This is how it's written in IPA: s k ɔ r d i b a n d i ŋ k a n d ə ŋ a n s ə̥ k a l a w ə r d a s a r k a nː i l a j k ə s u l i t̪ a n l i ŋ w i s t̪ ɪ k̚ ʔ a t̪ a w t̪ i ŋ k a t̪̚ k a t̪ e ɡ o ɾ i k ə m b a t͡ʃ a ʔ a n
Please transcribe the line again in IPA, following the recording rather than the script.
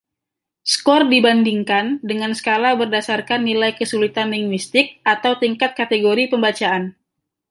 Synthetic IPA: s k ɔ r d i b a n d i ŋ k a n d ə ŋ a n s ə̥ k a l a b ə r d a s a r k a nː i l a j k ə s u l i t̪ a n l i ŋ w i s t̪ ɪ k̚ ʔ a t̪ a w t̪ i ŋ k a t̪̚ k a t̪ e ɡ o ɾ i p ə m b a t͡ʃ a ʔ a n